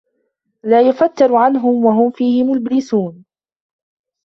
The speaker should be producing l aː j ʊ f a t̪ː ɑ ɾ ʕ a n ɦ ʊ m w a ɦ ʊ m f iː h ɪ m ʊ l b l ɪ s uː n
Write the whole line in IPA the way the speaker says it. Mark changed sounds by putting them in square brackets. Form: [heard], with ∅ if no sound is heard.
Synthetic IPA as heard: l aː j ʊ f a t̪ː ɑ ɾ ʕ a n ɦ ʊ m w a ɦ ʊ m f iː h ɪ m ʊ l b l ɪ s uː n